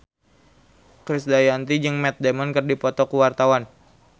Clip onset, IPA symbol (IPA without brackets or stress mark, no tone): k